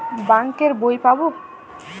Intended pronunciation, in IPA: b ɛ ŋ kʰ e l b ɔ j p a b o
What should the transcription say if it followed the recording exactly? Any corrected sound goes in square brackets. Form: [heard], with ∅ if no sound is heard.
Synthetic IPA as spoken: b [a] ŋ [k] e [ɾ] b [o] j p a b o